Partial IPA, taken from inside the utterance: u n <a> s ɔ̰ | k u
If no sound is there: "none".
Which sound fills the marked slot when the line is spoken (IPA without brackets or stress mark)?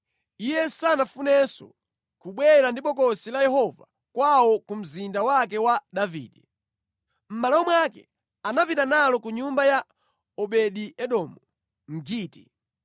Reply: ɛ